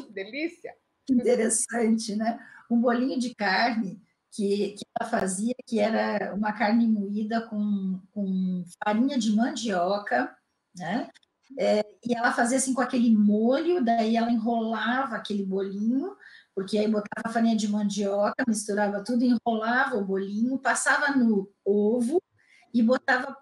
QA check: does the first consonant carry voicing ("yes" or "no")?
yes